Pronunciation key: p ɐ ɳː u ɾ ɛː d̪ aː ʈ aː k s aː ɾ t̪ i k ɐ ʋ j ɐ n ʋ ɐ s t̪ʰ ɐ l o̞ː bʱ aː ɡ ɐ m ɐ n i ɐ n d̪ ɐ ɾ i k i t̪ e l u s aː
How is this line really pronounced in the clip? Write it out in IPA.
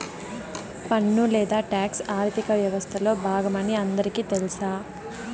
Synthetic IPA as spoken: p ɐ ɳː u l ɛː d̪ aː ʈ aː k s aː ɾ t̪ i k ɐ ʋ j ɐ ʋ ɐ s t̪ʰ ɐ l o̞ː bʱ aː ɡ ɐ m ɐ n i ɐ n d̪ ɐ ɾ i k i t̪ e l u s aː

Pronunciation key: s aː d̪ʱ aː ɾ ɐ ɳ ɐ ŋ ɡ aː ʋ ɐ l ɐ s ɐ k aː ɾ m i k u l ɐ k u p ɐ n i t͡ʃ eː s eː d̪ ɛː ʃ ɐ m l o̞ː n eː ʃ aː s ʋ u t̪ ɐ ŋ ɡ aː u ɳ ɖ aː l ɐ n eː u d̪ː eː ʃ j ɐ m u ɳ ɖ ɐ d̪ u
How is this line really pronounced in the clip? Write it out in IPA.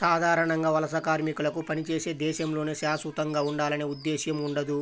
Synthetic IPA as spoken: s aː d̪ʱ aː ɾ ɐ ɳ ɐ ŋ ɡ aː ʋ ɐ l ɐ s ɐ k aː ɾ m i k u l ɐ k u p ɐ n i t͡ʃ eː s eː d̪ ɛː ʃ ɐ m l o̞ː n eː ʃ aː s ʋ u t̪ ɐ ŋ ɡ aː u ɳ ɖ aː l ɐ n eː u d̪ː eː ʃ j ɐ m u ɳ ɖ ɐ d̪ u

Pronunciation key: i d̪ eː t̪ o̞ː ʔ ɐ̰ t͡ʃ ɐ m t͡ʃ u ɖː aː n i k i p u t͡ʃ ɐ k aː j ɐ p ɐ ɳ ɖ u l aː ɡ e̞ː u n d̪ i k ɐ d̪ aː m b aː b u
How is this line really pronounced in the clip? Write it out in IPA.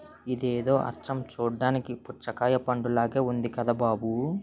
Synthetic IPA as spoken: i d̪ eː d̪ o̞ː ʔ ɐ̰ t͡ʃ ɐ m t͡ʃ uː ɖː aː n i k i p u t͡ʃ ɐ k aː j ɐ p ɐ ɳ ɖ u l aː ɡ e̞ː u n d̪ i k ɐ d̪ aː b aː b u

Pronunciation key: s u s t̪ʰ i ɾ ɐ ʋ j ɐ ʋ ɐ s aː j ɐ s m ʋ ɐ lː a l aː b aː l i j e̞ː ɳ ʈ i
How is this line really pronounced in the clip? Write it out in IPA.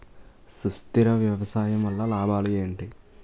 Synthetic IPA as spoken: s u s t̪ i ɾ ɐ ʋ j ɐ ʋ ɐ s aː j ɐ m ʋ ɐ lː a l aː b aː l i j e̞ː ɳ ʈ i

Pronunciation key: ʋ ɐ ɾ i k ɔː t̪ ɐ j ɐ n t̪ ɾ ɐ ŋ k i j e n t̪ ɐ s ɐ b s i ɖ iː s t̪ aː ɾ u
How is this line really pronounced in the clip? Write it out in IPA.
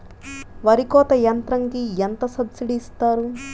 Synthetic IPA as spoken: ʋ ɐ ɾ i k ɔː t̪ ɐ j ɐ n t̪ ɾ ɐ ŋ k i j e n t̪ ɐ s ɐ b s i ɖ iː s t̪ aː ɾ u

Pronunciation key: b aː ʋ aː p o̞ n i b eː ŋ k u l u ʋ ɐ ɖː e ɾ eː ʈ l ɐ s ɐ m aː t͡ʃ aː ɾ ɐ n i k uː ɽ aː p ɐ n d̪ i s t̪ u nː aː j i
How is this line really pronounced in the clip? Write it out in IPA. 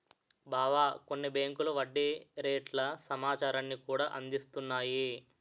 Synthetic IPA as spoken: b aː ʋ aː k o̞ nː i b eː ŋ k u l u ʋ ɐ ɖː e ɾ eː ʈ l ɐ s ɐ m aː t͡ʃ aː ɾ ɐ nː i k uː ɽ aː ʔ ɐ n d̪ i s t̪ u nː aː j i

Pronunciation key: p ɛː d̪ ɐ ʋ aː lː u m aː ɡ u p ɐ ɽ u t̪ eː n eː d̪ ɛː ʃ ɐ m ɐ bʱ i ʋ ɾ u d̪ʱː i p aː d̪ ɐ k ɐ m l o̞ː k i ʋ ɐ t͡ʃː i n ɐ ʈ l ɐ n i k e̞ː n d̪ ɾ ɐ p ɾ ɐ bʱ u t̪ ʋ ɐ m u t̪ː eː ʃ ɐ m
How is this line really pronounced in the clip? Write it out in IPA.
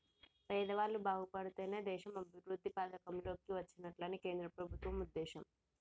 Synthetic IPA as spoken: p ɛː d̪ ɐ ʋ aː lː u b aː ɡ u p ɐ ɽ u t̪ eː n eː d̪ ɛː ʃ ɐ m ɐ bʱ i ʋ ɾ u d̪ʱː i p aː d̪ ɐ k ɐ m l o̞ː k i ʋ ɐ t͡ʃː i n ɐ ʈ l ɐ n i k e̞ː n d̪ ɾ ɐ p ɾ ɐ bʱ u t̪ ʋ ɐ m u d̪ː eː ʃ ɐ m

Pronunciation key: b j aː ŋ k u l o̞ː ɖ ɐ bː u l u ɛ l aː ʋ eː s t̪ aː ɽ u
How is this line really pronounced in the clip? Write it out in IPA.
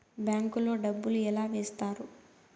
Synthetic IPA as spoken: b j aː ŋ k u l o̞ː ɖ ɐ bː u l u ɛ l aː ʋ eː s t̪ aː ɾ u

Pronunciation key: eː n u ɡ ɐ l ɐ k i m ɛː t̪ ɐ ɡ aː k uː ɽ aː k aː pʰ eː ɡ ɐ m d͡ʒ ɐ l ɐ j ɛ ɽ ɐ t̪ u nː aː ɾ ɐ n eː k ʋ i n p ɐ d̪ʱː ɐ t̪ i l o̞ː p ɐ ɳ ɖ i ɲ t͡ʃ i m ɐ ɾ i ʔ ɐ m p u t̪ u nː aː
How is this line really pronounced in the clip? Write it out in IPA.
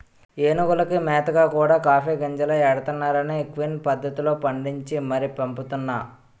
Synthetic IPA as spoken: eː n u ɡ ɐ l ɐ k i m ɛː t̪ ɐ ɡ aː k uː ɽ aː k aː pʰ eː ɡ ɐ ɲ d͡ʒ ɐ l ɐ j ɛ ɽ ɐ t̪ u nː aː ɾ ɐ n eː k ʋ i n p ɐ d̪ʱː ɐ t̪ i l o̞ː p ɐ ɳ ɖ i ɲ t͡ʃ i m ɐ ɾ i p ɐ m p u t̪ u nː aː

